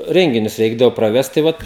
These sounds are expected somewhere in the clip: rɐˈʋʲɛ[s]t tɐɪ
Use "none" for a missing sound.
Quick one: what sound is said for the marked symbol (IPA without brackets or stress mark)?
s